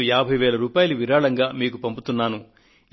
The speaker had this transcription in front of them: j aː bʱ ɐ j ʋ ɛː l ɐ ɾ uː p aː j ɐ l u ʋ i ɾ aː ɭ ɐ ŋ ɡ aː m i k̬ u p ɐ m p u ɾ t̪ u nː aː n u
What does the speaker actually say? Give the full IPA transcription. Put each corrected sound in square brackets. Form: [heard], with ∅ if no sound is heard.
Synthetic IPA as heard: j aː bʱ ɐ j ʋ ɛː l ɐ ɾ uː p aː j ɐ l u ʋ i ɾ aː ɭ ɐ ŋ ɡ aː m [iː] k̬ u p ɐ m p u [∅] t̪ u nː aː n u